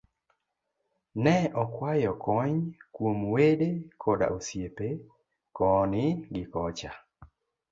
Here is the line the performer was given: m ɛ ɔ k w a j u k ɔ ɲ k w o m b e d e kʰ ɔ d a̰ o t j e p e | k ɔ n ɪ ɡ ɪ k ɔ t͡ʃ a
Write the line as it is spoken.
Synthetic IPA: n ɛ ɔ k w a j ɔ k ɔ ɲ k w o m w e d e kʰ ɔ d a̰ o s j e p e | k ɔ n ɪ ɡ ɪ k ɔ t͡ʃ a